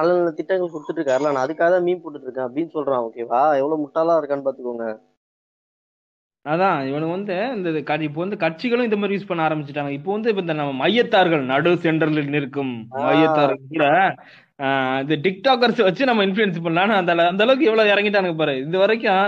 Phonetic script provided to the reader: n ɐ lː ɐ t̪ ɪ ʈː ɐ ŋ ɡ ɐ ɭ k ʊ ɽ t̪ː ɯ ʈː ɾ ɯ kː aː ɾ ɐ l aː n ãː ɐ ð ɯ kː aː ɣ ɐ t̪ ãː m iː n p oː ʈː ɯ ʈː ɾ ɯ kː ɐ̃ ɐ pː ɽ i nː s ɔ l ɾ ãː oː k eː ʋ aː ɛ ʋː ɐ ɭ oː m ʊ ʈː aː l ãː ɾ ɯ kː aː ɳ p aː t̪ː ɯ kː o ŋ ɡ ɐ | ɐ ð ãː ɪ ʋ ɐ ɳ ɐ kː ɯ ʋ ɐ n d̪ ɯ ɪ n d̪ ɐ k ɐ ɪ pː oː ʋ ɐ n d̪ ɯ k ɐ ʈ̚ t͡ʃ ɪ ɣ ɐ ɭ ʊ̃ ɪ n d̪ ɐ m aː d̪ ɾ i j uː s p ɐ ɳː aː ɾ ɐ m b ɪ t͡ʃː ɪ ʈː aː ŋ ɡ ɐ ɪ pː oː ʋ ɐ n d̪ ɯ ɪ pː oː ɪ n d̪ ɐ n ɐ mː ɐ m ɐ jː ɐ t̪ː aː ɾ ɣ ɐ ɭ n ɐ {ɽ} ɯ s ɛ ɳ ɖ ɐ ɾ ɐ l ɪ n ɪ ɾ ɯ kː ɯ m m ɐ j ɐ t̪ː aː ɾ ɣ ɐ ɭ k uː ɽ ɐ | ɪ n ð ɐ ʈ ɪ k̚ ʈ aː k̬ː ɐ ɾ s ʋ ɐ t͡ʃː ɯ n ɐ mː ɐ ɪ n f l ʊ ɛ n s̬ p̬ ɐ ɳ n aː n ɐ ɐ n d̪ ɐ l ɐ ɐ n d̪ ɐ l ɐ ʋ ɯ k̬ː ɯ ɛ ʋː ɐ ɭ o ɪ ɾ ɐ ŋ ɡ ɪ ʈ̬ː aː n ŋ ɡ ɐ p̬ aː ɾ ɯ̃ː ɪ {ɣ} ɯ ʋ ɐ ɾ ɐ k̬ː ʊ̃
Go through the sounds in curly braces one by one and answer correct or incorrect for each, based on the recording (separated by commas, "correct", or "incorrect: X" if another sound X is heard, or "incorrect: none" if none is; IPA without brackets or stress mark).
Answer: correct, incorrect: ð